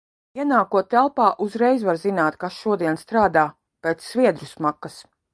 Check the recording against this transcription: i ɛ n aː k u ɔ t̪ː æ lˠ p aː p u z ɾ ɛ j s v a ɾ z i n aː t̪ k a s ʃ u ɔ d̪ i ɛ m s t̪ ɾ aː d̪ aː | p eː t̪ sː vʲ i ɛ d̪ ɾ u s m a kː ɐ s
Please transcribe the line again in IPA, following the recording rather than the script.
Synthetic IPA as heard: i ɛ n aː k u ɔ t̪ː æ lˠ p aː ʔ u z ɾ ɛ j z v a ɾ z i n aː t̪ k a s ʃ u ɔ d̪ i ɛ n s t̪ ɾ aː d̪ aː | p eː t̪ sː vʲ i ɛ d̪ ɾ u s m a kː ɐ s

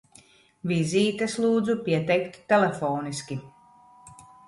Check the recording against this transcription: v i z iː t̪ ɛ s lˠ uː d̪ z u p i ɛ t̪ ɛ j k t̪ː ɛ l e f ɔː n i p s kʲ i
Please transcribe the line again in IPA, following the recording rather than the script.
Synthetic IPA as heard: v i z iː t̪ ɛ s lˠ uː d̪ z u p i ɛ t̪ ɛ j k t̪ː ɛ l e f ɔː n i s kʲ i

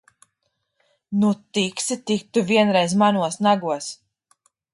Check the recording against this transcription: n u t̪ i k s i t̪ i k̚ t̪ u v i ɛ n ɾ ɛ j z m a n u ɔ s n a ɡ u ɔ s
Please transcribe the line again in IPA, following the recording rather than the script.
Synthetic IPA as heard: n u t̪ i k s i t̪ i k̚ t̪ u v i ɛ n ɾ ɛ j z m a n u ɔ s n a ɡ u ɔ s

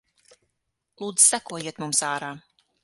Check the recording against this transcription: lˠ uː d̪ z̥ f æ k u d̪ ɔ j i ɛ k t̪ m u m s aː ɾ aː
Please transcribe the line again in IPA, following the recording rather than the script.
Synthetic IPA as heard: lˠ uː d̪ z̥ s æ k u ɔ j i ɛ t̪ m u m s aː ɾ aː

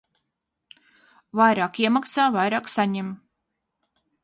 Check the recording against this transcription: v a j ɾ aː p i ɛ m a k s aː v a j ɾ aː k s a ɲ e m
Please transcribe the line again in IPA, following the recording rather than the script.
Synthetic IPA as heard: v a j ɾ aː k i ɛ m a k s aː v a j ɾ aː k s a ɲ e m

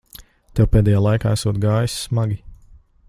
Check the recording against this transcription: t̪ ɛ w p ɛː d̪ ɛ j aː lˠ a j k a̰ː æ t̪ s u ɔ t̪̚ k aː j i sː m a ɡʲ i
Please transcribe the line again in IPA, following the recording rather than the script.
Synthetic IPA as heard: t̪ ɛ w p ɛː d̪ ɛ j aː lˠ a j k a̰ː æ s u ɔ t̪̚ ɡ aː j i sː m a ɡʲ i

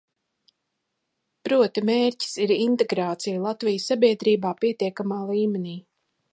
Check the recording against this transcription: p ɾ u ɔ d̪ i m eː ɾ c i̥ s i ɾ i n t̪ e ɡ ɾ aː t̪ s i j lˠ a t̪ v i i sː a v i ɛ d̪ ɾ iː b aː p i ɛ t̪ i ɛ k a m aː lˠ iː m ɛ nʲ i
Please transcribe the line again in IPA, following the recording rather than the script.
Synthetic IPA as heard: p ɾ u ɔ t̪ i m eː ɾ c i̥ s i ɾ i n t̪ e ɡ ɾ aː t̪ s i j lˠ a t̪ v i j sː a b i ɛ d̪ ɾ iː b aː p i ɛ t̪ i ɛ k a m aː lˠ iː m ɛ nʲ iː

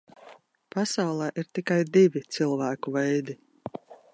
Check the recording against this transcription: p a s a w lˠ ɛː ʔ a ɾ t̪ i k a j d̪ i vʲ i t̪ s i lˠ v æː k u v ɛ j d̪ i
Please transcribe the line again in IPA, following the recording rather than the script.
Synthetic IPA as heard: p a s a w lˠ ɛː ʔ i ɾ t̪ i k a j d̪ i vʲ i t̪ s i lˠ v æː k u v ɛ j d̪ i

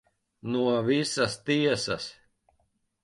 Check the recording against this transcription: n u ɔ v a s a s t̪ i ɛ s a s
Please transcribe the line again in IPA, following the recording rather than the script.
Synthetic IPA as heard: n u ɔ v i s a s t̪ i ɛ s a s

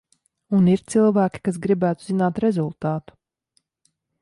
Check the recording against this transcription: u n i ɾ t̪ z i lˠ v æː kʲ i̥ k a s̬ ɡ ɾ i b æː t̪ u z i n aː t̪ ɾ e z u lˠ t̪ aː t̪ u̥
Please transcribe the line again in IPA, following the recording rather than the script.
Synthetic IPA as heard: u n i ɾ t̪ s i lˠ v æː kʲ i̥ k a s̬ ɡ ɾ i b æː t̪ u z i n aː t̪ ɾ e z u lˠ t̪ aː t̪ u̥

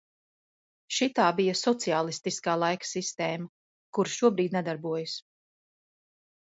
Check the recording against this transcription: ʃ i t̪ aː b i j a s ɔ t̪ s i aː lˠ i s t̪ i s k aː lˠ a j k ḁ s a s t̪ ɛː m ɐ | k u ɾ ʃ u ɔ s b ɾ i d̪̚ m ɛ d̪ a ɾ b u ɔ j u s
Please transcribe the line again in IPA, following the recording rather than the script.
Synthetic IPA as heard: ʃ i t̪ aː b i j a s ɔ t̪ s i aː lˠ i s t̪ i s k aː lˠ a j k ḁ s i s t̪ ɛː m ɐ | k u ɾ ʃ u ɔ b ɾ iː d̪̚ n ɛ d̪ a ɾ b u ɔ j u s

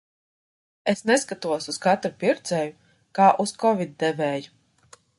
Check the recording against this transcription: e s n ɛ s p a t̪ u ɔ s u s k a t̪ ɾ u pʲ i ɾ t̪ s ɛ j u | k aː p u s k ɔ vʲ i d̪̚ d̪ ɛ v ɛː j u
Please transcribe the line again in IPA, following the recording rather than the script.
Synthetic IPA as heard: e s n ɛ s k a t̪ u ɔ s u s k a t̪ ɾ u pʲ i ɾ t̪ s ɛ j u | k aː ʔ u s k ɔ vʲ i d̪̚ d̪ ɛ v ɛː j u

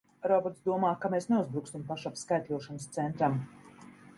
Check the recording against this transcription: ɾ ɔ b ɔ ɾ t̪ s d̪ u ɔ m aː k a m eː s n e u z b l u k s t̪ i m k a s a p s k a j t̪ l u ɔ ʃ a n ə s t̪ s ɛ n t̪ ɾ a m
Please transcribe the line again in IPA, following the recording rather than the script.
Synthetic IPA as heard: ɾ ɔ b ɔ ɾ t̪ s d̪ u ɔ m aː k a m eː s n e u z b ɾ u k s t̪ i m p a ʃ a p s k a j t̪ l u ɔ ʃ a n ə s t̪ s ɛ n t̪ ɾ a m

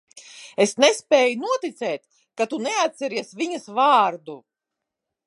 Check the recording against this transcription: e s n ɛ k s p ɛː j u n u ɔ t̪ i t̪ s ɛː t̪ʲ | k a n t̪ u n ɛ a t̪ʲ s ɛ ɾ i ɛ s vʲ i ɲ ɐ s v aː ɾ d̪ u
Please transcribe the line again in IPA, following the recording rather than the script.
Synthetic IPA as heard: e s n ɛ s p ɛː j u n u ɔ t̪ i t̪ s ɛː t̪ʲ | k a t̪ u n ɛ a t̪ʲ s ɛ ɾ i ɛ s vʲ i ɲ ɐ s v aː ɾ d̪ u

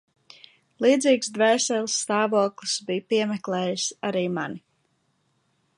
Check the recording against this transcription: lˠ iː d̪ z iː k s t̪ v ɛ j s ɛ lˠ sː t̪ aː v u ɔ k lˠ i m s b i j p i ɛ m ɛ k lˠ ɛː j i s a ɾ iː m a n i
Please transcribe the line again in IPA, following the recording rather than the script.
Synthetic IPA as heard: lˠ iː d̪ z iː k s d̪ v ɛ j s ɛ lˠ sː t̪ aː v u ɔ k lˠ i s b i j p i ɛ m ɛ k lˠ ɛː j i s a ɾ iː m a n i

